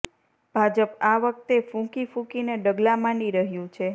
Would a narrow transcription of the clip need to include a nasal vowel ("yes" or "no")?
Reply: yes